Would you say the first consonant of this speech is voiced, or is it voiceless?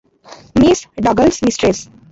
voiced